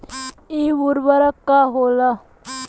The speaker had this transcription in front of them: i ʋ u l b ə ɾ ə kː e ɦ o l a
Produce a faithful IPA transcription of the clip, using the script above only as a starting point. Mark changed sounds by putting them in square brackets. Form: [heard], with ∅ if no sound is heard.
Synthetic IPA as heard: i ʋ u [ɾ] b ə ɾ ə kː [a] ɦ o l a